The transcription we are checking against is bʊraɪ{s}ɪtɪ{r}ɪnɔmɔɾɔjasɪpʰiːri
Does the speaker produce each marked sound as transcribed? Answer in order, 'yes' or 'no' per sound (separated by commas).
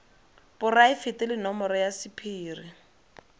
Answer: no, no